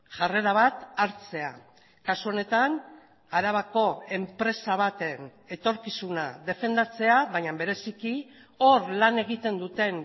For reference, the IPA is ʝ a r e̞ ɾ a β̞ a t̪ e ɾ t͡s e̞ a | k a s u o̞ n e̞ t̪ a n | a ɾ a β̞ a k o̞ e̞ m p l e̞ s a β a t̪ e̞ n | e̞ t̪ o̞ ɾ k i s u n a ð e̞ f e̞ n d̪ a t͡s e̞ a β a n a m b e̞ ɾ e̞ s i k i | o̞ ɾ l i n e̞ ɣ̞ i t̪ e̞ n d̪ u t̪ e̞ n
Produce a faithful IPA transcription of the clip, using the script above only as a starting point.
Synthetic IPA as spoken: ʝ a r e̞ ɾ a β̞ a t̪ a ɾ t͡s e̞ a | k a s u o̞ n e̞ t̪ a n | a ɾ a β̞ a k o̞ e̞ m p ɾ e̞ s a β a t̪ e̞ n | e̞ t̪ o̞ ɾ k i s u n a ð e̞ f e̞ n d̪ a t͡s e̞ a β a ɲ a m b e̞ ɾ e̞ s i k i | o̞ ɾ l a n e̞ ɣ̞ i t̪ e̞ n d̪ u t̪ e̞ n